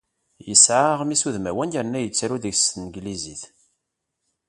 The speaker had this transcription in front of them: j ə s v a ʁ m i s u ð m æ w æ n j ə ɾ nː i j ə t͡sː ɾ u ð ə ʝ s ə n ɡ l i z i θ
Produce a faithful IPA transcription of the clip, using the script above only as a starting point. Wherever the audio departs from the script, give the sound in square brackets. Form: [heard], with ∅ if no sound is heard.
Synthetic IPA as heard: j ə s [ʕ] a ʁ m i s u ð m æ w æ n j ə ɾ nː [æ] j ə t͡sː ɾ u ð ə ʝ s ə n ɡ l i z i θ